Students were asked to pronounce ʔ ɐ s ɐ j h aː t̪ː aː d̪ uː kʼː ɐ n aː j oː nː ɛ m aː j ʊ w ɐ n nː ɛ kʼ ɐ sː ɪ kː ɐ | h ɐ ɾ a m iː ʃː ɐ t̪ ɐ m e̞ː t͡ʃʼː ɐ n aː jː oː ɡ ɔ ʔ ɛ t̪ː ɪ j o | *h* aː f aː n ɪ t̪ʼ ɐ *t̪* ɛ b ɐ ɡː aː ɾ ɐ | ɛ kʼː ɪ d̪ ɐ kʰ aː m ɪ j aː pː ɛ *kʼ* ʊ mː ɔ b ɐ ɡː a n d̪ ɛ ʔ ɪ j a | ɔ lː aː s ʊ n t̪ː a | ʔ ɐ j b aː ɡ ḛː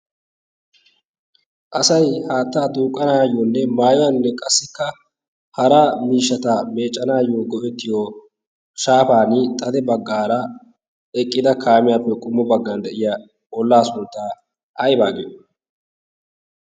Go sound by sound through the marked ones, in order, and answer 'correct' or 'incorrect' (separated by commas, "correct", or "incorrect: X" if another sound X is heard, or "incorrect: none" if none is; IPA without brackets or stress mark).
incorrect: ʃ, incorrect: d̪, correct